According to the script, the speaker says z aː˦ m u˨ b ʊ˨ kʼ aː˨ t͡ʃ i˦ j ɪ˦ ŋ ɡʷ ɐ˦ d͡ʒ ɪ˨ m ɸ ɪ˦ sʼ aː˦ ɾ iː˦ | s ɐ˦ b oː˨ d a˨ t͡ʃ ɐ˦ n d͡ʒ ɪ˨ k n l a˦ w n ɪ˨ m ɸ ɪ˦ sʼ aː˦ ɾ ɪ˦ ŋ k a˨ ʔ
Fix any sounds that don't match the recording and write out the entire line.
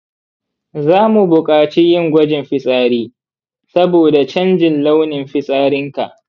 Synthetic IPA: z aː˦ m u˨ b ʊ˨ kʼ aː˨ t͡ʃ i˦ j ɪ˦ ŋ ɡʷ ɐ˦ d͡ʒ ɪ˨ m ɸ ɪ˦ sʼ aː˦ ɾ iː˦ | s ɐ˦ b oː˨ d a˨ t͡ʃ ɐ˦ n d͡ʒ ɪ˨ n l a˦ w n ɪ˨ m ɸ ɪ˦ sʼ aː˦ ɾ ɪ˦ ŋ k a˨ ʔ